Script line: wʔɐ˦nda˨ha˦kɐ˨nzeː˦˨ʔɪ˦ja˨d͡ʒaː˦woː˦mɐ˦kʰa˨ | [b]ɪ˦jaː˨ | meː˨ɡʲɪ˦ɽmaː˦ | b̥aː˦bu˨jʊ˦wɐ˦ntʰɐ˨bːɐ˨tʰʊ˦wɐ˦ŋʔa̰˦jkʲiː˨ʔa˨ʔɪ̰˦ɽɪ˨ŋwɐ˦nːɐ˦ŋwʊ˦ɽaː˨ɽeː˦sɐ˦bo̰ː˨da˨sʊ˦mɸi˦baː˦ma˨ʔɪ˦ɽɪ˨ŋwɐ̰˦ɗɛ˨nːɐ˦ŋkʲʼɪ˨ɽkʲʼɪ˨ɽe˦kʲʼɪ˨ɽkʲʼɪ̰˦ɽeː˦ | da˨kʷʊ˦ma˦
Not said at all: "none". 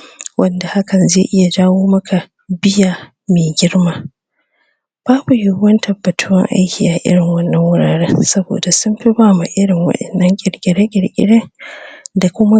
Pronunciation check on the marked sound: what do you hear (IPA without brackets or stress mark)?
b